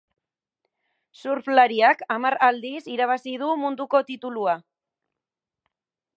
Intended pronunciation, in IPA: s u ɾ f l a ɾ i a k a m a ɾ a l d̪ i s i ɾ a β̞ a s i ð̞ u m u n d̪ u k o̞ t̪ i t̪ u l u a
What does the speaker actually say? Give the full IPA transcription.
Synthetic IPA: s u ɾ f l a ɾ i a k a m a ɾ a l d̪ i s i ɾ a β̞ a s i ð̞ u m u n d̪ u k o̞ t̪ i t̪ u l u a